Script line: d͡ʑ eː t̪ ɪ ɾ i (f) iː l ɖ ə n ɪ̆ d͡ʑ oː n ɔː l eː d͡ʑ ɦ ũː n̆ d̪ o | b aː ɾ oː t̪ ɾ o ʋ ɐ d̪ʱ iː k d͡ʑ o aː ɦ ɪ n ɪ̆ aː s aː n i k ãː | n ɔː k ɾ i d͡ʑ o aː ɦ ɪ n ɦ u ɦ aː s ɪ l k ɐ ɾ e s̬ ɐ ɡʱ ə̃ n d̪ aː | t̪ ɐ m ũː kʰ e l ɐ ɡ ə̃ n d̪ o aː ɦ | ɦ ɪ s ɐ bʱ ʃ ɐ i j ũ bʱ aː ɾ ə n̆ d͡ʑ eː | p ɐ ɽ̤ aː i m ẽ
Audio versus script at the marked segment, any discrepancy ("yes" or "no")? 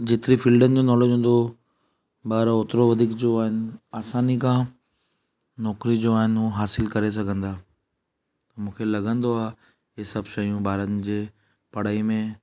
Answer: no